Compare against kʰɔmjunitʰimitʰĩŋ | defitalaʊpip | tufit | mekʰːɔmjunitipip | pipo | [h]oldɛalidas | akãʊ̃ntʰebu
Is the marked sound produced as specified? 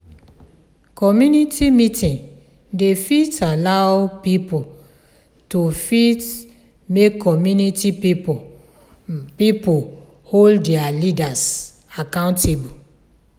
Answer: yes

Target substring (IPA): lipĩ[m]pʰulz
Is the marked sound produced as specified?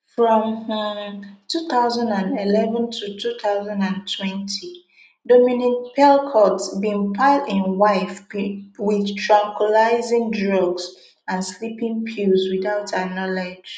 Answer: no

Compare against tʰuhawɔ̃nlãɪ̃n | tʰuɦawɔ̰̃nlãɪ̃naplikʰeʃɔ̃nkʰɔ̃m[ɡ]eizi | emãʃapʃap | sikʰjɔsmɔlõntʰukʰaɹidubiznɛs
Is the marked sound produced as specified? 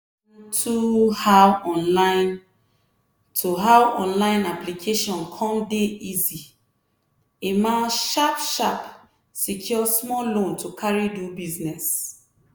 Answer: no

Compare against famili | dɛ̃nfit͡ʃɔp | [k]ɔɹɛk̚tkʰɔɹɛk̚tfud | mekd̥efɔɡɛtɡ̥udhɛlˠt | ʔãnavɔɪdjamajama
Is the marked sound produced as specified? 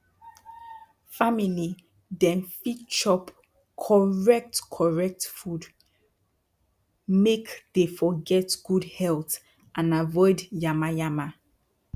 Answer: no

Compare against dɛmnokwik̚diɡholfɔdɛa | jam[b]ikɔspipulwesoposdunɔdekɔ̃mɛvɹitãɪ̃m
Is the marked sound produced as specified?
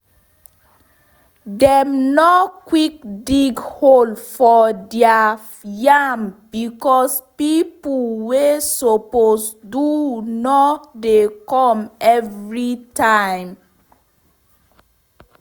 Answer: yes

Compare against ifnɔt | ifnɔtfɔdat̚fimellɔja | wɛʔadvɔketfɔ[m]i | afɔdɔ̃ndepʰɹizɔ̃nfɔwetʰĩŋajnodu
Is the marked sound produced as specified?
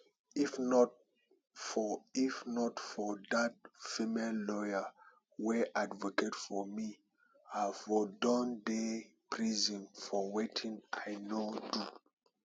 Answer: yes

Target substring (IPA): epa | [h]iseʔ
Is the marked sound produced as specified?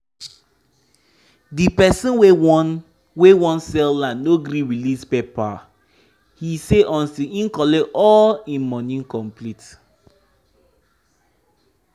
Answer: yes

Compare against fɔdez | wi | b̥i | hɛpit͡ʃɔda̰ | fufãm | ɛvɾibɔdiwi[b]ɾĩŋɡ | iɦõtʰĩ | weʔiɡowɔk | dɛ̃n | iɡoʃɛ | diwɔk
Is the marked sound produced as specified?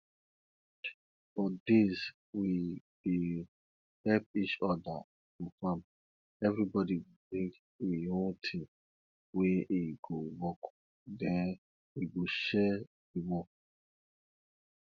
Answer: yes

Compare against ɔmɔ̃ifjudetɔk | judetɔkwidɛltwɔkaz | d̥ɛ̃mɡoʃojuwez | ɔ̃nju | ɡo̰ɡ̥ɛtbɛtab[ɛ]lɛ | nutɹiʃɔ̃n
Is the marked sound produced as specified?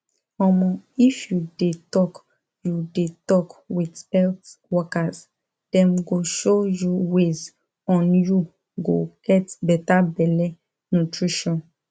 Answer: yes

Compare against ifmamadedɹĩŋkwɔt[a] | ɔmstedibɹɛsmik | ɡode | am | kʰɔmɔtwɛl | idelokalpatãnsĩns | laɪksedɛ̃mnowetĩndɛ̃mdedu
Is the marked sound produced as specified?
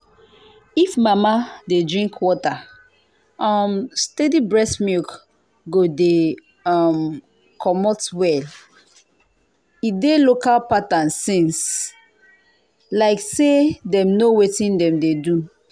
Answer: yes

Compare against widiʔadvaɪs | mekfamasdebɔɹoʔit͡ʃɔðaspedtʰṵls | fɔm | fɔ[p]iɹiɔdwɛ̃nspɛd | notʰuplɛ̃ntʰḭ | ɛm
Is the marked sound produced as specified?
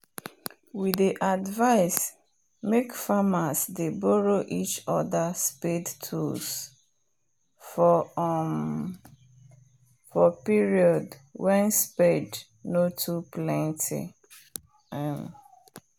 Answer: yes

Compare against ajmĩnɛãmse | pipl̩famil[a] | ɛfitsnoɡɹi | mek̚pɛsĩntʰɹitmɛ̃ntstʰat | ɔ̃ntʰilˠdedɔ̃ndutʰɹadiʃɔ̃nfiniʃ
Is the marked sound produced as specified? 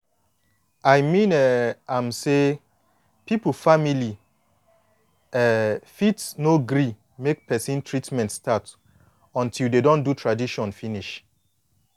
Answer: no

